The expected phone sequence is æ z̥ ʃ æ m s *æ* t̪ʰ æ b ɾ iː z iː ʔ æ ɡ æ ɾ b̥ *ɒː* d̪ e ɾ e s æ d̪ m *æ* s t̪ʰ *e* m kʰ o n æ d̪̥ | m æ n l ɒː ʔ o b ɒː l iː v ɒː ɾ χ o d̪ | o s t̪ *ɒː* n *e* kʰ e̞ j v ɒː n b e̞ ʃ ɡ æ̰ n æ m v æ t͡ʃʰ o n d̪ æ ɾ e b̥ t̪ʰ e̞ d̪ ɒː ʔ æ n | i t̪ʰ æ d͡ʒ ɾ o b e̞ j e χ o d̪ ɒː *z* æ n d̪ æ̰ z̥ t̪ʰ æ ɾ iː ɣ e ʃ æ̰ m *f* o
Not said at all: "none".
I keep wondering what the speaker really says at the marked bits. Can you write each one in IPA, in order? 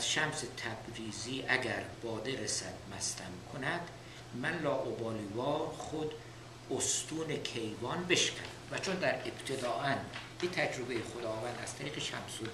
e, ɒː, æ, æ, uː, e, v, s

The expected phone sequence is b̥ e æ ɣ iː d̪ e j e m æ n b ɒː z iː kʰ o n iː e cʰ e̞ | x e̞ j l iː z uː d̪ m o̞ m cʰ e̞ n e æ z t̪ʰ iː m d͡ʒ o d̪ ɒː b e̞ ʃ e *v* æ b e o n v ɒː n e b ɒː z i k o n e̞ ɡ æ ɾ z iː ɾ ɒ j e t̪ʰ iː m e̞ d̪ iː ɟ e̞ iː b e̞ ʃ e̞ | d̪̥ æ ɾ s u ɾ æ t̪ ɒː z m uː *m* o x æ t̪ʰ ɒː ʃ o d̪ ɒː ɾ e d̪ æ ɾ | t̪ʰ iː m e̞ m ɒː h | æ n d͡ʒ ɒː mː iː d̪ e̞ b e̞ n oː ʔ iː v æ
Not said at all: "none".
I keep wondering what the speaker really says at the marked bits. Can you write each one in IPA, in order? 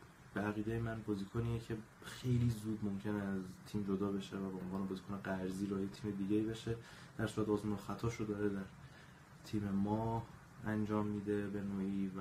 v, n

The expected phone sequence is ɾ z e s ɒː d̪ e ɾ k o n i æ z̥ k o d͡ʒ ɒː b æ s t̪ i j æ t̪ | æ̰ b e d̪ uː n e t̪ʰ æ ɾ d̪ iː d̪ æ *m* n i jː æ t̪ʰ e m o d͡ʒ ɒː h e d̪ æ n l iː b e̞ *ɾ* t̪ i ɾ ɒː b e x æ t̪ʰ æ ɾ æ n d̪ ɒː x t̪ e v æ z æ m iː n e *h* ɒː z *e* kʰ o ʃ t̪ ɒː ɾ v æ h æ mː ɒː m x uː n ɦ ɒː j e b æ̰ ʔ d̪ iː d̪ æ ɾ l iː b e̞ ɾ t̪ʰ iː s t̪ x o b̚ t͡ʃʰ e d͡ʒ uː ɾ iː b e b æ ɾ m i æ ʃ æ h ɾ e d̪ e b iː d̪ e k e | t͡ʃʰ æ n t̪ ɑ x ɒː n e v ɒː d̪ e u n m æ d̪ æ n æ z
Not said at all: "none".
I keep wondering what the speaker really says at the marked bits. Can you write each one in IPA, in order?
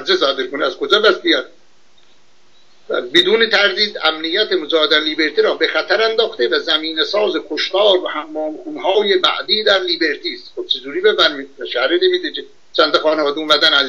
m, ɾ, s, e

